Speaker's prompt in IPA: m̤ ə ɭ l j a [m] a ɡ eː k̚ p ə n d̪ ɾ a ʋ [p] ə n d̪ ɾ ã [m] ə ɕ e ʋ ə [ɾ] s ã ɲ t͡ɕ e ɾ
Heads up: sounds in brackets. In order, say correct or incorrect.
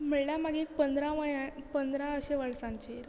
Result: correct, correct, incorrect, incorrect

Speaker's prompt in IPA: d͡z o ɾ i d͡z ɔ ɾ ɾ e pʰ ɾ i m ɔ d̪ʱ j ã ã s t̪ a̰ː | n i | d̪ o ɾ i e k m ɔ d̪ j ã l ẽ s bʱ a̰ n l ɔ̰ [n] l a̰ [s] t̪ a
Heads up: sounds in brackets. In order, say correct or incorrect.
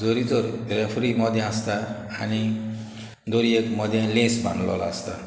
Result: incorrect, correct

